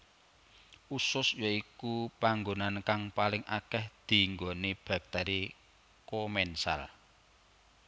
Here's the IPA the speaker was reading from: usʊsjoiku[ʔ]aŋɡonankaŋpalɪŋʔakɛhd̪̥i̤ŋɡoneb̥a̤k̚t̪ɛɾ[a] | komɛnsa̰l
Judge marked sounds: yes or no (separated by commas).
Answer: no, no